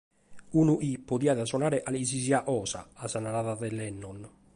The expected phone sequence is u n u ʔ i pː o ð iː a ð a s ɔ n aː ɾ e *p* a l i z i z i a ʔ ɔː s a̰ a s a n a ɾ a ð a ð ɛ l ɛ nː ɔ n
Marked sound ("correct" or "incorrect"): incorrect